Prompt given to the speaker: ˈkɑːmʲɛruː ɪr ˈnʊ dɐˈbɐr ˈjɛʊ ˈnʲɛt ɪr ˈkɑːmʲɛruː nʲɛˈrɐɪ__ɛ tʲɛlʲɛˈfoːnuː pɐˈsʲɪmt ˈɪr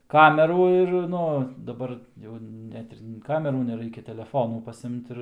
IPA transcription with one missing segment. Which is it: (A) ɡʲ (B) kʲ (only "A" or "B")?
B